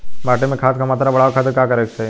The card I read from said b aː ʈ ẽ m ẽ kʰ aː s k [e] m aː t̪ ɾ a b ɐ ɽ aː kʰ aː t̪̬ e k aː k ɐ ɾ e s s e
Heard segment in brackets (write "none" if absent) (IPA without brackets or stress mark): a